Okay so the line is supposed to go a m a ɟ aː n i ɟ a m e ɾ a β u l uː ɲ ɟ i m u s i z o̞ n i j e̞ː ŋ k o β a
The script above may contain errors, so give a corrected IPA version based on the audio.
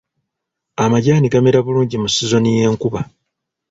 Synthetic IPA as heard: a m a ɟ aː n i ɡ a m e ɾ a β u l uː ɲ ɟ i m u s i z o̞ n i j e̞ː ŋ k u β a